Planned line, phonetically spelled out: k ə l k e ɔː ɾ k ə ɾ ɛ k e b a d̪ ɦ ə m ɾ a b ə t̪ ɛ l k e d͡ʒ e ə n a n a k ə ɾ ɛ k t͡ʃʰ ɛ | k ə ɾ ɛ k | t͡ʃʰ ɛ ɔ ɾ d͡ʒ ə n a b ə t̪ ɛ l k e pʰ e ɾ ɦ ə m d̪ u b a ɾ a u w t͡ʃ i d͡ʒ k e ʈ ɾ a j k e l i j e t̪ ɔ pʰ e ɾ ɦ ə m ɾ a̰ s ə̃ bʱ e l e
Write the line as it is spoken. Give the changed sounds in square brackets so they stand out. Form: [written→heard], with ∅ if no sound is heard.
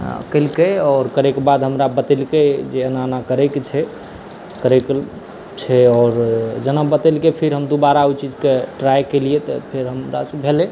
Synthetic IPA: k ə l k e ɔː ɾ k ə ɾ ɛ k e b a d̪ ɦ ə m ɾ a b ə t̪ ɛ l k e d͡ʒ e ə n a n a k ə ɾ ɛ k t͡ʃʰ ɛ | k ə ɾ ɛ k | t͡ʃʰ ɛ ɔ ɾ d͡ʒ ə n a b ə t̪ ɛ l k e pʰ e ɾ ɦ ə m d̪ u b a ɾ a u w t͡ʃ i d͡ʒ k e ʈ ɾ a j k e l i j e t̪ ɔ pʰ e ɾ ɦ ə m ɾ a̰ s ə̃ bʱ e l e

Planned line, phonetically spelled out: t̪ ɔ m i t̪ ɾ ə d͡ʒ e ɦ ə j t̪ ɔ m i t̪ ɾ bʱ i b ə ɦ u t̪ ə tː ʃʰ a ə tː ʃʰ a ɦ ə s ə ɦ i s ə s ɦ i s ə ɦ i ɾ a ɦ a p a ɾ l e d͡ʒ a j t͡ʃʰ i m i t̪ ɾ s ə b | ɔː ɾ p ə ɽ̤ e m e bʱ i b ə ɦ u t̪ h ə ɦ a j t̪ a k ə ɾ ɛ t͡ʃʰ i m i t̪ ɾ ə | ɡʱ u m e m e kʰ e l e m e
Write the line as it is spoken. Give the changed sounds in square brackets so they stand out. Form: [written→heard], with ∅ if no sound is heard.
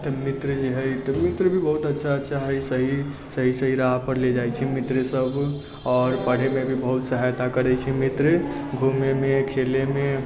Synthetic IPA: t̪ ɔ m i t̪ ɾ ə d͡ʒ e ɦ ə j t̪ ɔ m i t̪ ɾ bʱ i b ə ɦ u t̪ ə tː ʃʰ a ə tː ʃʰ a ɦ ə s ə ɦ i s ə [s→∅] ɦ i s ə ɦ i ɾ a ɦ a p [a→ə] ɾ l e d͡ʒ a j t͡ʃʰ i m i t̪ ɾ s ə b | ɔː ɾ p ə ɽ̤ e m e bʱ i b ə ɦ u t̪ [h→s] ə ɦ a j t̪ a k ə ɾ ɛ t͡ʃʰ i m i t̪ ɾ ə | ɡʱ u m e m e kʰ e l e m e

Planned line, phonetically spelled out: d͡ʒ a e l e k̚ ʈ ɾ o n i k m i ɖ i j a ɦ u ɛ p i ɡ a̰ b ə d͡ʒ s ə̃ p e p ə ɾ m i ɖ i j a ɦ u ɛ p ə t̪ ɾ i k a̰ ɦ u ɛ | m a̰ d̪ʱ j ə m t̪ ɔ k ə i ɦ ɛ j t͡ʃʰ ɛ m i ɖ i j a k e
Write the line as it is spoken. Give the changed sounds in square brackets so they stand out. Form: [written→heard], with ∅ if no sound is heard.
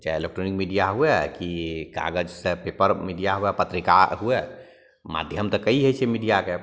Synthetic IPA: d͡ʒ a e l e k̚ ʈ ɾ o n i k m i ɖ i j a ɦ u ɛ [p→k] i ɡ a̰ [b→ɡ] ə d͡ʒ s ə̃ p e p ə ɾ m i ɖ i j a ɦ u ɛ p ə t̪ ɾ i k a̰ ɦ u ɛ | m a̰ d̪ʱ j ə m t̪ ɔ k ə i ɦ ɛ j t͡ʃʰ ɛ m i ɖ i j a k e

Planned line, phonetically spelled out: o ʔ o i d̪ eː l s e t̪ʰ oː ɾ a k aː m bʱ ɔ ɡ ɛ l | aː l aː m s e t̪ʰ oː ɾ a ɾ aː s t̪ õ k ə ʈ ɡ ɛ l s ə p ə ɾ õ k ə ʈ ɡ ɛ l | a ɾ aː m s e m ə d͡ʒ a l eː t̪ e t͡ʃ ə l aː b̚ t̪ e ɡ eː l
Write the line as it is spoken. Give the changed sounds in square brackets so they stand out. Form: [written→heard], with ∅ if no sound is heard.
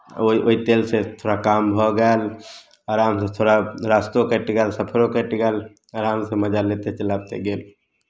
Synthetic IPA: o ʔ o i [d̪→t̪] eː l s e t̪ʰ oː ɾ a k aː m bʱ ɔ ɡ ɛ l | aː [l→ɾ] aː m s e t̪ʰ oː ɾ a ɾ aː s t̪ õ k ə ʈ ɡ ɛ l s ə [p→pʰ] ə ɾ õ k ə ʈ ɡ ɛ l | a ɾ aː m s e m ə d͡ʒ a l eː t̪ e t͡ʃ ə l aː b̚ t̪ e ɡ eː l

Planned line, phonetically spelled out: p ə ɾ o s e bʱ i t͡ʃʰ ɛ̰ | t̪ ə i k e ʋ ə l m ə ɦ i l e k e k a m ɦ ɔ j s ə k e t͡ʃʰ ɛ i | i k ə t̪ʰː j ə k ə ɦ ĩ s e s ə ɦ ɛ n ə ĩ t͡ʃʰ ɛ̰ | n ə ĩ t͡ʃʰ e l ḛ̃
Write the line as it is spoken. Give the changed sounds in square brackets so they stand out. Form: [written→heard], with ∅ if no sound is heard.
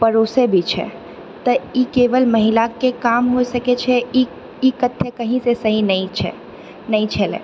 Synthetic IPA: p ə ɾ o s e bʱ i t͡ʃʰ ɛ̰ | t̪ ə i k e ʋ ə l m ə ɦ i l [e→a] k e k a m ɦ [ɔ→o] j s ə k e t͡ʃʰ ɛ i | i k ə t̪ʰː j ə k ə ɦ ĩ s e s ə ɦ [ɛ→i] n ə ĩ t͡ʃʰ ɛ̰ | n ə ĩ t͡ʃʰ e l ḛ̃

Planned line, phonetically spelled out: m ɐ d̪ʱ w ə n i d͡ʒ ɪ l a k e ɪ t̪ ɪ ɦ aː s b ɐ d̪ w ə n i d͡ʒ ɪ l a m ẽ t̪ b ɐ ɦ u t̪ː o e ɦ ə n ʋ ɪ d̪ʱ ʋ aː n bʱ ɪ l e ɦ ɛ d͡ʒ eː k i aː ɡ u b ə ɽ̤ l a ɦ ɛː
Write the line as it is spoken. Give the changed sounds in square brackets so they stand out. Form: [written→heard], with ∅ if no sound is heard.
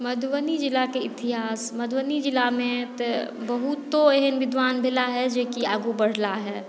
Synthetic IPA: m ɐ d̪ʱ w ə n i d͡ʒ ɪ l a k e ɪ t̪ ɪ ɦ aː s [b→m] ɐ d̪ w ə n i d͡ʒ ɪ l a m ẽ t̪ b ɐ ɦ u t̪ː o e ɦ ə n ʋ ɪ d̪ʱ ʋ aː n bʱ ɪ l [e→a] ɦ ɛ d͡ʒ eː k i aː ɡ u b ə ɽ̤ l a ɦ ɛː

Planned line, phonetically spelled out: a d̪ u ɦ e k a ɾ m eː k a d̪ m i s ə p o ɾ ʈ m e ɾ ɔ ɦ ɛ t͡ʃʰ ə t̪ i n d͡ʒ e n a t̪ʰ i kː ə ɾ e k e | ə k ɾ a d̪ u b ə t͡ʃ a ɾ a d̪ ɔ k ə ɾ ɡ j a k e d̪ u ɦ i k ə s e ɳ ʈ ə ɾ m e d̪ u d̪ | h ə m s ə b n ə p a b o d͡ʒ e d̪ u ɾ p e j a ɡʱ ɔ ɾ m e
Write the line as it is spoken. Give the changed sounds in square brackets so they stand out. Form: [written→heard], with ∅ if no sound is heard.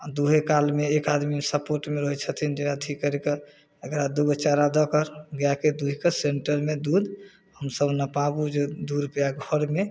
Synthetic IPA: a d̪ u ɦ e k a [ɾ→l] m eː k a d̪ m i s ə p o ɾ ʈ m e ɾ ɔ ɦ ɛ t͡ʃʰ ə [t̪→t̪ʰ] i n d͡ʒ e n a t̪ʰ i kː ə ɾ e k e | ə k ɾ a d̪ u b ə t͡ʃ a ɾ a d̪ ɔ k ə ɾ ɡ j a k e d̪ u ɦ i k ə s e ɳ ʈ ə ɾ m e d̪ u d̪ | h ə m s ə b n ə p a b [o→u] d͡ʒ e d̪ u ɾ p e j a ɡʱ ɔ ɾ m e

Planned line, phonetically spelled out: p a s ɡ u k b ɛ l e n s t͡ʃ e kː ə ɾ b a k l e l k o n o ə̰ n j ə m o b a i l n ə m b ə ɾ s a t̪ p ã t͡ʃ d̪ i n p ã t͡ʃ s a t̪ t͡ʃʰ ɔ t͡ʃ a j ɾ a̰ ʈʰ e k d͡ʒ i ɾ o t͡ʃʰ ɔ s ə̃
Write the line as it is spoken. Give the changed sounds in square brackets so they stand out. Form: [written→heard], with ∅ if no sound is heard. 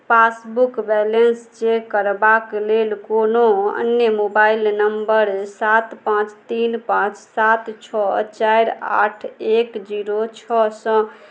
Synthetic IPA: p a s [ɡ→b] u k b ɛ l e n s t͡ʃ e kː ə ɾ b a k l e l k o n o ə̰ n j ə m o b a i l n ə m b ə ɾ s a t̪ p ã t͡ʃ [d̪→t̪] i n p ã t͡ʃ s a t̪ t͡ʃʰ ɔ t͡ʃ a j ɾ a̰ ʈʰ e k d͡ʒ i ɾ o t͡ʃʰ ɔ s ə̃

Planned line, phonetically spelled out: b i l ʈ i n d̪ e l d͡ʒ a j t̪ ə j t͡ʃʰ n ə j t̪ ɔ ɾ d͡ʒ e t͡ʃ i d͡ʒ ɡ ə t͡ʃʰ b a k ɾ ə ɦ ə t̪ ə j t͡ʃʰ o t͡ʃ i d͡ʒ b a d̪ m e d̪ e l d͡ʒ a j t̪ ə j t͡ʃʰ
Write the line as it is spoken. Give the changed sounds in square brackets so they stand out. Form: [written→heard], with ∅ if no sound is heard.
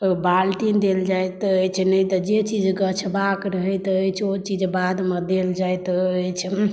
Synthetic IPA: b [i→a] l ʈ i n d̪ e l d͡ʒ a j t̪ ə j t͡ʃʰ n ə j t̪ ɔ [ɾ→∅] d͡ʒ e t͡ʃ i d͡ʒ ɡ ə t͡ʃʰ b a k ɾ ə ɦ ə t̪ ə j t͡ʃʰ o t͡ʃ i d͡ʒ b a d̪ m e d̪ e l d͡ʒ a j t̪ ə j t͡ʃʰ

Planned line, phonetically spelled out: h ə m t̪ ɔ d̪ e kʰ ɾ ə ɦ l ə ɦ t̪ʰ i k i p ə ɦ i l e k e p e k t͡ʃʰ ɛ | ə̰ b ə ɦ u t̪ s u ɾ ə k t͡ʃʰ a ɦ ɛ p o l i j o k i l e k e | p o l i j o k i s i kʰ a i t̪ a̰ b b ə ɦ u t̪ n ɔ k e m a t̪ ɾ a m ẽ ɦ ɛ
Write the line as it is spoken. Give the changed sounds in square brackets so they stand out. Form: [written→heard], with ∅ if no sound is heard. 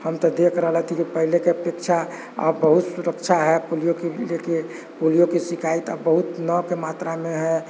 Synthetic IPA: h ə m t̪ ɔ d̪ e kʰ ɾ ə ɦ l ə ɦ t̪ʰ i k i p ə ɦ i l e k e p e k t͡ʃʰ [ɛ→a] | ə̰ b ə ɦ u t̪ s u ɾ ə k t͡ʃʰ a ɦ ɛ p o l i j o k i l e k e | p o l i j o k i s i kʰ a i t̪ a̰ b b ə ɦ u t̪ n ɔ k e m a t̪ ɾ a m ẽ ɦ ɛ

